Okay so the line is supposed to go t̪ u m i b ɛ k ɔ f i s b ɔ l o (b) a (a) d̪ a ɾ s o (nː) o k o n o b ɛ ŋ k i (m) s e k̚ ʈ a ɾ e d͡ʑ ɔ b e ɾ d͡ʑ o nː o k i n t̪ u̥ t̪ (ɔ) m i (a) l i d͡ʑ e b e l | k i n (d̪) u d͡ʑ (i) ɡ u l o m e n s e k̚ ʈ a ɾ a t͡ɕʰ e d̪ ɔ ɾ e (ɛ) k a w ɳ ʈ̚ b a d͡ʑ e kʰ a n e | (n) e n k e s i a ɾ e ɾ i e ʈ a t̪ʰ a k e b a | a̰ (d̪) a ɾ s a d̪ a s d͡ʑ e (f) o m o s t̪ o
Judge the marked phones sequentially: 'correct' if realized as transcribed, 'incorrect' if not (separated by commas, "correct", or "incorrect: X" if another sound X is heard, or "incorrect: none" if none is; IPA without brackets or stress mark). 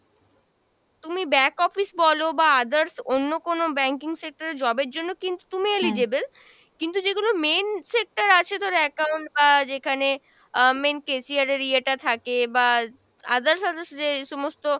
correct, correct, correct, incorrect: ŋ, incorrect: u, incorrect: e, incorrect: t̪, incorrect: e, correct, incorrect: m, correct, incorrect: ʃ